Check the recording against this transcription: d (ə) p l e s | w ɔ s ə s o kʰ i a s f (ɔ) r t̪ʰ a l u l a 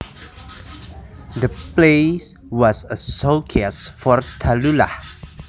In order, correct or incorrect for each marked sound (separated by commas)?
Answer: correct, correct